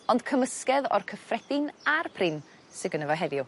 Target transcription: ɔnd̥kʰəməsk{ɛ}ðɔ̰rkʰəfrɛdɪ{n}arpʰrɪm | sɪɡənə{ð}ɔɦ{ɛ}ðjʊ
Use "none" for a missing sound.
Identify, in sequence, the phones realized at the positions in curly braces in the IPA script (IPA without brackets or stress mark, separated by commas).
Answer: ɛ, n, v, ɛ